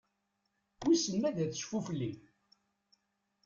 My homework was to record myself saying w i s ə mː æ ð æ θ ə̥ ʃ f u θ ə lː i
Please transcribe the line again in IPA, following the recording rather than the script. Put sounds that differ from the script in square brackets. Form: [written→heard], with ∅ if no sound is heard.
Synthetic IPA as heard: w i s ə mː æ ð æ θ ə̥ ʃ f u [θ→f] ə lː i